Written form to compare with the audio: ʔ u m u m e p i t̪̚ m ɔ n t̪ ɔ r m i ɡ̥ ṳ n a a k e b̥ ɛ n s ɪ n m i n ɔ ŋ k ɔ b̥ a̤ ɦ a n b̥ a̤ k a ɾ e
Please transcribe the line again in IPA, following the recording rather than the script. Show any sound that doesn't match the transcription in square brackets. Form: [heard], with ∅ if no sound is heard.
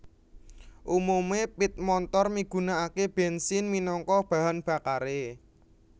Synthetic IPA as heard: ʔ u m u m e p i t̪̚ m ɔ n t̪ ɔ r m i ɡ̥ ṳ n a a k e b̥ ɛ n s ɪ n m i n ɔ ŋ k ɔ b̥ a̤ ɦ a n b̥ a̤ k a ɾ e